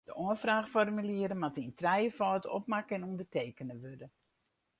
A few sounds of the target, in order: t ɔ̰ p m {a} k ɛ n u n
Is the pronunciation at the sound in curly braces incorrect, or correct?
correct